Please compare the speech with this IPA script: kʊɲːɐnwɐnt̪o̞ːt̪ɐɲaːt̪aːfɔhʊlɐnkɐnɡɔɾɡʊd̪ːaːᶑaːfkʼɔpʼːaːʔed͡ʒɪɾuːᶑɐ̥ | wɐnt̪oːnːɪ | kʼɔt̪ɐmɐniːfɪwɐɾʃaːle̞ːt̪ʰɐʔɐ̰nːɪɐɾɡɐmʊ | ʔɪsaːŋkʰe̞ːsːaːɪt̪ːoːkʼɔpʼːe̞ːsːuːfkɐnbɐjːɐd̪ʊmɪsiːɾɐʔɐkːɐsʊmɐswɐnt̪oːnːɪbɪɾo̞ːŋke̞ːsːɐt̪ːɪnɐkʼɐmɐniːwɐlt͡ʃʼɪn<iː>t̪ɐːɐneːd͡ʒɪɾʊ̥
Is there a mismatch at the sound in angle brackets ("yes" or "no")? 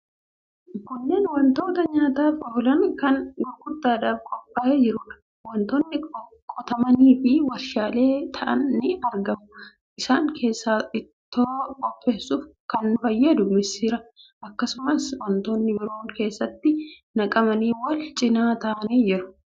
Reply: yes